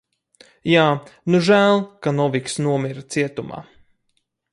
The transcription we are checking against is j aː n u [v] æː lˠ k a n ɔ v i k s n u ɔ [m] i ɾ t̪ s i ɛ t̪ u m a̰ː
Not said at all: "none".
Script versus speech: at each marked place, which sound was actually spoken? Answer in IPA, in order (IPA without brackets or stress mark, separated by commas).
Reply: ʒ, m